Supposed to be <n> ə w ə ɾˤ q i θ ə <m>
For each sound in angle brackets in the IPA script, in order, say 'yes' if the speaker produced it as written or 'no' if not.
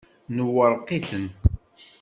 yes, no

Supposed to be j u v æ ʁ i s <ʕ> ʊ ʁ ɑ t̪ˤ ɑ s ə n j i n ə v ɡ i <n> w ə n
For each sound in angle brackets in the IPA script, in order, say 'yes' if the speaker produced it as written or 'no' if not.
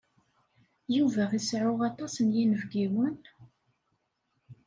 yes, no

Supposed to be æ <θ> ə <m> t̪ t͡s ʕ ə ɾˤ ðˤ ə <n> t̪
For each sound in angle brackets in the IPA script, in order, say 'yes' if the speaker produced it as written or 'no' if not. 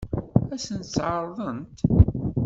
no, no, yes

